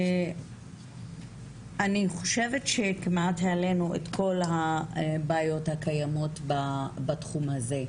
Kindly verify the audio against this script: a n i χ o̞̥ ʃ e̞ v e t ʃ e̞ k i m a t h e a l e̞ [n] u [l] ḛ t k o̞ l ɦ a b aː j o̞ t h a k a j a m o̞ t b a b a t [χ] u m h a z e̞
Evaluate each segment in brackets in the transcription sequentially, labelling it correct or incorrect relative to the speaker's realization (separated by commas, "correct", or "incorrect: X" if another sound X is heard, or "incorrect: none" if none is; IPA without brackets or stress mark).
correct, incorrect: none, correct